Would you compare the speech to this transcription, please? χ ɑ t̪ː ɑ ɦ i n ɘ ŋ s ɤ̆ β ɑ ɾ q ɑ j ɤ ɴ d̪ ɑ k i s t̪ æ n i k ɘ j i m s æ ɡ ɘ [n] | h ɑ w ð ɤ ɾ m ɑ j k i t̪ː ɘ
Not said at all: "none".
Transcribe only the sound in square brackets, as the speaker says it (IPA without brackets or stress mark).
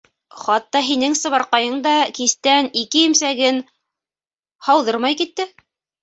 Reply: n